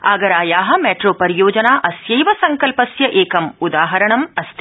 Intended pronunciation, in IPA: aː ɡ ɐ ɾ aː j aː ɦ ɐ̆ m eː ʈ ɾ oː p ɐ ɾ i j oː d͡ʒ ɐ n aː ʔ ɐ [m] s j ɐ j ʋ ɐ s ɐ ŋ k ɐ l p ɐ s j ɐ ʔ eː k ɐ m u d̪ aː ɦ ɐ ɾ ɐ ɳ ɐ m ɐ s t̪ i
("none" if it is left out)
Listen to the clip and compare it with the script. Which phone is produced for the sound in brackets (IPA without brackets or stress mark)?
none